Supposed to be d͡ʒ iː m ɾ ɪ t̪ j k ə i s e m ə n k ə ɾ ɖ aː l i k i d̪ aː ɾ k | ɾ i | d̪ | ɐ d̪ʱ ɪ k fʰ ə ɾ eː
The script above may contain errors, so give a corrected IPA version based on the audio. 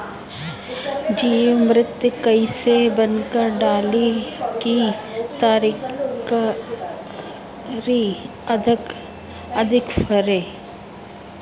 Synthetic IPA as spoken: d͡ʒ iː m ɾ ɪ t̪ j k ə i s e b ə n k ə ɾ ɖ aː l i k i t̪ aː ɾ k | ɾ i | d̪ | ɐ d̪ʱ ɪ k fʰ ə ɾ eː